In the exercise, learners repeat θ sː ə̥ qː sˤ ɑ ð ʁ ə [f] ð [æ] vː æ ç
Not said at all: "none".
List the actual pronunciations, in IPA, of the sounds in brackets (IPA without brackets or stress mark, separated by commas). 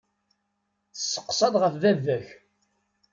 f, æ